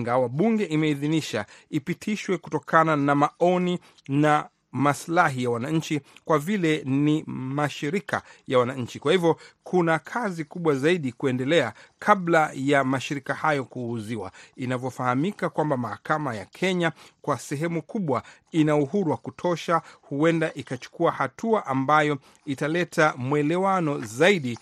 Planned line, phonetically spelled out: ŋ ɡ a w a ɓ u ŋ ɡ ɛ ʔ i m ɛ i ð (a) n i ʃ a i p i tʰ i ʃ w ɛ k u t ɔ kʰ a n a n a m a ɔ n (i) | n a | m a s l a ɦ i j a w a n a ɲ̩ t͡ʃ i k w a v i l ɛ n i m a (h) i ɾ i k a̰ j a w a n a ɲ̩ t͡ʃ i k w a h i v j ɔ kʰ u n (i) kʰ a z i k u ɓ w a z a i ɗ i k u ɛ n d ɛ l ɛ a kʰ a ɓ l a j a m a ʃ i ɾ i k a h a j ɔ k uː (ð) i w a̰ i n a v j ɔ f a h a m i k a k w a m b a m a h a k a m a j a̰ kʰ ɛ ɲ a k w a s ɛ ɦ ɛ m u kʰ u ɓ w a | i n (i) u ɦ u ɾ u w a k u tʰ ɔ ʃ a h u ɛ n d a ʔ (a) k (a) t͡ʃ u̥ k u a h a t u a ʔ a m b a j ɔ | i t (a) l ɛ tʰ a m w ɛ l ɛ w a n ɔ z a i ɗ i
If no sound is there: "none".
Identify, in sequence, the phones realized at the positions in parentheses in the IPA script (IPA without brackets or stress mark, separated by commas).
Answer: i, i, ʃ, a, z, a, i, a, a